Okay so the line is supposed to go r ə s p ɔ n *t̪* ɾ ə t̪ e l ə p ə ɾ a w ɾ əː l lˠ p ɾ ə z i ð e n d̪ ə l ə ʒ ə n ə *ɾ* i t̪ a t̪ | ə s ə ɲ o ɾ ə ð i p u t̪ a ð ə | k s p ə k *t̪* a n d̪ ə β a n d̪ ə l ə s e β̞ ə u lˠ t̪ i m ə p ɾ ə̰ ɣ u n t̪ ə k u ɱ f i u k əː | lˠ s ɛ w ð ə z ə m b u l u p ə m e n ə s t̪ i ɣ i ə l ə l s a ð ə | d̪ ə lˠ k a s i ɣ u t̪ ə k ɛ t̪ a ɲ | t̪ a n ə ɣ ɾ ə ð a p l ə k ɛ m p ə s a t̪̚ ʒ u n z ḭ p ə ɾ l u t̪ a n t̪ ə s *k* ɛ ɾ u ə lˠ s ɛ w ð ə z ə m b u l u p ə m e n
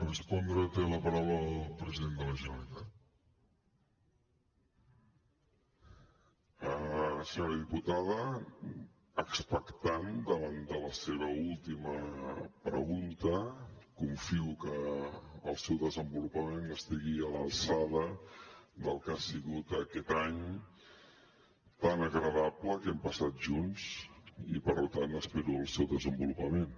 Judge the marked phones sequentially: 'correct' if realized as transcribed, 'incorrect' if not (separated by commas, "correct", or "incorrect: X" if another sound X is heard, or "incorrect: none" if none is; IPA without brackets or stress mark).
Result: incorrect: d̪, incorrect: l, correct, incorrect: p